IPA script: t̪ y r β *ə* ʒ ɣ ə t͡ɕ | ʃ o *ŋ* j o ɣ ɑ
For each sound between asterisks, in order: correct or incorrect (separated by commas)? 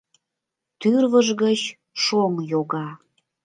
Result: correct, correct